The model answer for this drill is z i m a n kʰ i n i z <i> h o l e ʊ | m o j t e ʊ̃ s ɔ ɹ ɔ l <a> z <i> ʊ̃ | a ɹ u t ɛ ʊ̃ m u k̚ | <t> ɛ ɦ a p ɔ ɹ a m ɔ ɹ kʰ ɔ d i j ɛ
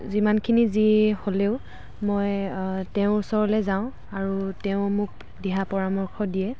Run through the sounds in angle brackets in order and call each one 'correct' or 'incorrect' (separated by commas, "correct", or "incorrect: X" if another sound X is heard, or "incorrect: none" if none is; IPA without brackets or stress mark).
correct, incorrect: ɛ, incorrect: a, incorrect: d